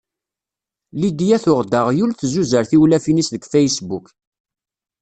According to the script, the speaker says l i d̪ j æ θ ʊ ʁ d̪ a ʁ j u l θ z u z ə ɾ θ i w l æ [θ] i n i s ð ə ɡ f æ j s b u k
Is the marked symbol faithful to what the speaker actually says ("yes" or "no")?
no